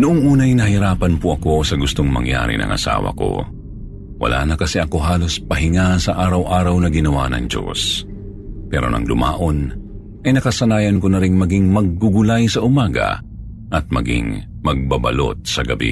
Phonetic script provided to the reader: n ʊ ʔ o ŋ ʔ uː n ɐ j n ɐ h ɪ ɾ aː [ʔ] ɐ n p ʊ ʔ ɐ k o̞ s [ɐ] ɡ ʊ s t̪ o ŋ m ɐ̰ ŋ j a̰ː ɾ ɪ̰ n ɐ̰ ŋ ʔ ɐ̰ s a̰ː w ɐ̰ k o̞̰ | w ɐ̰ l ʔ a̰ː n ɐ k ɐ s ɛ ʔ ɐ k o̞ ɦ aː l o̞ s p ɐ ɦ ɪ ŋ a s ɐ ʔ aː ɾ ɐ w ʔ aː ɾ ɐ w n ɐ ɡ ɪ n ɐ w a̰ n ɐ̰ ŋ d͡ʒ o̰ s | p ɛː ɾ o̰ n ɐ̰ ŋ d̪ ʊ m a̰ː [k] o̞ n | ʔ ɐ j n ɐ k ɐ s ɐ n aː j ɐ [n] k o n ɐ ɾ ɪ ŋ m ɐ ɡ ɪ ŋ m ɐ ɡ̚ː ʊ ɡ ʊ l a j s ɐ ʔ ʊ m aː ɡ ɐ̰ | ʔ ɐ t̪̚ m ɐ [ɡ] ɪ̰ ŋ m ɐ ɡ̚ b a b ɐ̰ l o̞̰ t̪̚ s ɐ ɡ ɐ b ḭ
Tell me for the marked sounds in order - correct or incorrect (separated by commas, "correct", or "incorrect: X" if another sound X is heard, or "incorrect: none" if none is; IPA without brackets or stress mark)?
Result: incorrect: p, correct, incorrect: ʔ, correct, correct